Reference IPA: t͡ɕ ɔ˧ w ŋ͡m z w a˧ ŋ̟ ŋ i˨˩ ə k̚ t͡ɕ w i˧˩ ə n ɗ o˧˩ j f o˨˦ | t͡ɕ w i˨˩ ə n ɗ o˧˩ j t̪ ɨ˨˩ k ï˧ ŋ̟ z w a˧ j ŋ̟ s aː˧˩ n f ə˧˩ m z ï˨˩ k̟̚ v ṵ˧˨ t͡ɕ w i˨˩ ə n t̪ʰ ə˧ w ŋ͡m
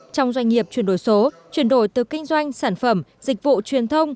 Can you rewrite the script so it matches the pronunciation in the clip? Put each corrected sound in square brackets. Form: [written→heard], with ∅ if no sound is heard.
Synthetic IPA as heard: t͡ɕ ɔ˧ w ŋ͡m z w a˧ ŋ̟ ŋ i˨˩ ə [k̚→p̚] t͡ɕ w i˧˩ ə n ɗ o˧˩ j [f→s] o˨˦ | t͡ɕ w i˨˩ ə n ɗ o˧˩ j t̪ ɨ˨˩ k ï˧ ŋ̟ z w a˧ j ŋ̟ s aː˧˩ n f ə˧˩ m z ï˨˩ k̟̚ v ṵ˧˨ t͡ɕ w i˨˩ ə n t̪ʰ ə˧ w ŋ͡m